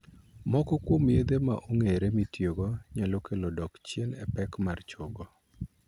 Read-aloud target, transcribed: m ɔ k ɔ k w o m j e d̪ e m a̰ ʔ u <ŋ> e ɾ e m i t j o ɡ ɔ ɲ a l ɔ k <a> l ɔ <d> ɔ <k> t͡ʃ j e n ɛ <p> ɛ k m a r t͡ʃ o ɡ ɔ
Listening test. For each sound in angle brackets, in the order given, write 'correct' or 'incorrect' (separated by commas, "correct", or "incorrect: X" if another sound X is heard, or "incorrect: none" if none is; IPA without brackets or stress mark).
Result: correct, incorrect: e, correct, correct, correct